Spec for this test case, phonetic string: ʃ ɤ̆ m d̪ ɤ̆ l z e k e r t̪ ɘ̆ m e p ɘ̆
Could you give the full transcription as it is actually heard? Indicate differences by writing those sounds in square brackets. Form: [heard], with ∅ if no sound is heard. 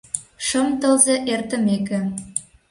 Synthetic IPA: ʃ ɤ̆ m [t̪] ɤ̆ l z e [ʔ] e r t̪ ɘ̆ m e [k] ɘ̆